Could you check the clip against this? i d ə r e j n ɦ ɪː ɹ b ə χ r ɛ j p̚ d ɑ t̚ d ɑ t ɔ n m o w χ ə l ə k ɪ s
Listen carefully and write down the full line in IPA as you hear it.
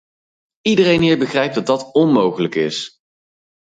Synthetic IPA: i d ə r e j n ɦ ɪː ɹ b ə χ r ɛ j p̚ d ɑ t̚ d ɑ t ɔ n m o w χ ə l ə k ɪ s